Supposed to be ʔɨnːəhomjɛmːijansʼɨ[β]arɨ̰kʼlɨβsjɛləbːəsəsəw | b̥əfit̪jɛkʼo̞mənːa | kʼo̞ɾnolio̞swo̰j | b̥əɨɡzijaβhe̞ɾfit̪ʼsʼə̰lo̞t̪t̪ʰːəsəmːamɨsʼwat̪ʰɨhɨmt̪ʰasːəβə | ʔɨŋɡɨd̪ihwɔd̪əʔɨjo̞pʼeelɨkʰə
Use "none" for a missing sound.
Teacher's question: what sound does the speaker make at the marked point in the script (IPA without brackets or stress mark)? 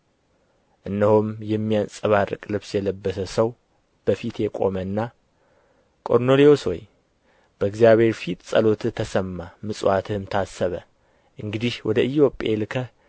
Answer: β